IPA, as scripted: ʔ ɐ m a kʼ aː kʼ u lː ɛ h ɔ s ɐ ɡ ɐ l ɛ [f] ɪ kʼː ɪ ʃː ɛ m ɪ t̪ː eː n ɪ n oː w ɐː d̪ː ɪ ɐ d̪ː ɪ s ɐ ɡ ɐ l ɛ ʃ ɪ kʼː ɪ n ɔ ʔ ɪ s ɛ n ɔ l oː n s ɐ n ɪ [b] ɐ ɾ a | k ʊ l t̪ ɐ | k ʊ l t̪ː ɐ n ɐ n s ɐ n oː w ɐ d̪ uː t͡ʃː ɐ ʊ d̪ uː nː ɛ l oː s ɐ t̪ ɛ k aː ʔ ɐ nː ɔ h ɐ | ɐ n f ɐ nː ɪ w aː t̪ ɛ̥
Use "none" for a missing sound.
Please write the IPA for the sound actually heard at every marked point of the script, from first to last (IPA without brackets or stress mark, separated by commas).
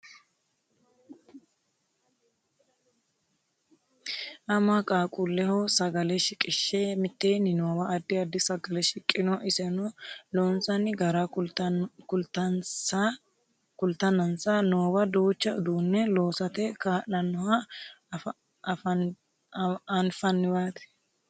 ʃ, ɡ